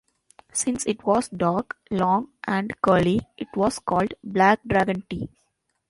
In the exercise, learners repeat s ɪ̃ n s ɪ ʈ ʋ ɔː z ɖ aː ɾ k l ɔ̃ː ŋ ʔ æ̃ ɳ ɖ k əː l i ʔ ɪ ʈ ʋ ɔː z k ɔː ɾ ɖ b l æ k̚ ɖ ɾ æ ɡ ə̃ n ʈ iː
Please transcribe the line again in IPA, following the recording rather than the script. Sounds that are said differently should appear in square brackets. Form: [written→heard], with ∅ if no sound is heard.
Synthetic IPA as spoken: s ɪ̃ n s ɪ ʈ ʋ ɔː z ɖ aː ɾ k l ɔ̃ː ŋ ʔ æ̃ ɳ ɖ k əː l i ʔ ɪ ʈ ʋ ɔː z k ɔː [ɾ→l] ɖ b l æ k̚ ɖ ɾ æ ɡ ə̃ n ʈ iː